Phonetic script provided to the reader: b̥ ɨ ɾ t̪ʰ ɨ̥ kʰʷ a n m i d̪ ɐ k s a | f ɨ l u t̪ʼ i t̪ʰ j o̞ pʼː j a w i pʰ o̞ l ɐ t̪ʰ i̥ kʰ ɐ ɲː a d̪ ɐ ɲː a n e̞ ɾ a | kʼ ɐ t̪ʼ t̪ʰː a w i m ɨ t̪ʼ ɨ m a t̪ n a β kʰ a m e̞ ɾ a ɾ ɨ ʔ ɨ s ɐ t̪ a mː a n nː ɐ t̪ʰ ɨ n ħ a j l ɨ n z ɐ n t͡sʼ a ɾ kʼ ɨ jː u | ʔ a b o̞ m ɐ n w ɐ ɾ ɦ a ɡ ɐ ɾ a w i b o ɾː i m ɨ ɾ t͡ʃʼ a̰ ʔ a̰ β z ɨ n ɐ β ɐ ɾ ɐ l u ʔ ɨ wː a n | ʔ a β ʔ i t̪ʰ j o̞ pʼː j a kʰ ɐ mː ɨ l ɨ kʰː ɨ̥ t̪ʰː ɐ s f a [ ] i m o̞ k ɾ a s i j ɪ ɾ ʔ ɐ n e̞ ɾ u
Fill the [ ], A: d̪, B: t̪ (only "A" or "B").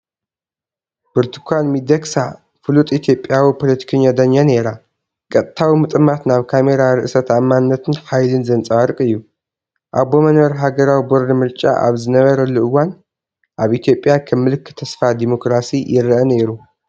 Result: A